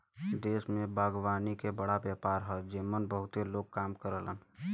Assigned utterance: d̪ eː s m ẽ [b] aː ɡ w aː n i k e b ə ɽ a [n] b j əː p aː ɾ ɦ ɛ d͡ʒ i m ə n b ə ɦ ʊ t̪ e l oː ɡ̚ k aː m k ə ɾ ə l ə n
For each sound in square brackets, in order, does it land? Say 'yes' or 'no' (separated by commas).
yes, no